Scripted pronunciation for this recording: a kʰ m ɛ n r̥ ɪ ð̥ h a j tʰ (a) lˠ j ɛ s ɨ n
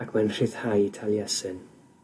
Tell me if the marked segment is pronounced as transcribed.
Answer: yes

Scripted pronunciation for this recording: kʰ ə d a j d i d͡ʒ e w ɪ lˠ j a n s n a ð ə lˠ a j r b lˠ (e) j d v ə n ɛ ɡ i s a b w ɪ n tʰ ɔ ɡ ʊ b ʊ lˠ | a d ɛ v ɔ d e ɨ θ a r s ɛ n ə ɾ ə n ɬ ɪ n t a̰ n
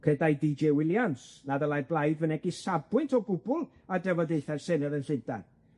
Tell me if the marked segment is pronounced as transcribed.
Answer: no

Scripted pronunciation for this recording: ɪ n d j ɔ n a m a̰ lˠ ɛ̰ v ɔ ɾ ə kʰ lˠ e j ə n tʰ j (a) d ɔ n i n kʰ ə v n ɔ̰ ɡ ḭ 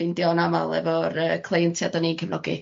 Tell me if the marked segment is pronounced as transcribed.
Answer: yes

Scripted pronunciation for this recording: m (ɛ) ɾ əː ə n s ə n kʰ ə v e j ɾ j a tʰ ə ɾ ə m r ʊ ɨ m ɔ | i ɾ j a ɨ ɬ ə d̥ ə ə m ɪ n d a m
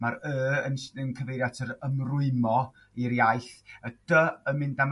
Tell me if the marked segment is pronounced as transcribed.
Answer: no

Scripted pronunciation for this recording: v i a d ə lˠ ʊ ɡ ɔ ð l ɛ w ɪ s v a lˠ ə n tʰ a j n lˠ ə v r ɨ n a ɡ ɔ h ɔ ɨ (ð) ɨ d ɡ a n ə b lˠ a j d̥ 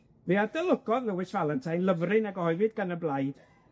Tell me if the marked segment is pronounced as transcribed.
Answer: no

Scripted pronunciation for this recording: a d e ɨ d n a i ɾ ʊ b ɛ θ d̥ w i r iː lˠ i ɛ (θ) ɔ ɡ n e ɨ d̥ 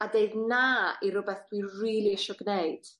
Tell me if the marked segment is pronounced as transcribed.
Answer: no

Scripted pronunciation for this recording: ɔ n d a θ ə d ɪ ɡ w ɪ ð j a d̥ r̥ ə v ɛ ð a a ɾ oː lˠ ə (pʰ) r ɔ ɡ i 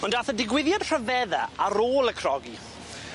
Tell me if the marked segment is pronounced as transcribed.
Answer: no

